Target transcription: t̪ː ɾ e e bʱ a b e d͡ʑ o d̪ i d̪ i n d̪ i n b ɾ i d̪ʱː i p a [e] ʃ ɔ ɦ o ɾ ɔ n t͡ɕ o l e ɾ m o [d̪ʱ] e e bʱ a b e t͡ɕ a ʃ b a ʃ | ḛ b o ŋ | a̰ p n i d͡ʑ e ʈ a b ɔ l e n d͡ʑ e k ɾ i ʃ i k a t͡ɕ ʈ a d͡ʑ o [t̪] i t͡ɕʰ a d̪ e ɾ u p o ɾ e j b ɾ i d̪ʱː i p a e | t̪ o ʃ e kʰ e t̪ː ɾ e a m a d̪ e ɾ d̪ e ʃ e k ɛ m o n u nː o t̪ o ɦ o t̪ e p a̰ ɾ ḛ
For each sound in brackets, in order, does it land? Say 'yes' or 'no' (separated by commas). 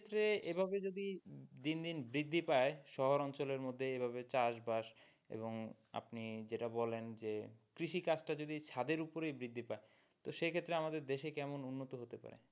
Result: yes, no, no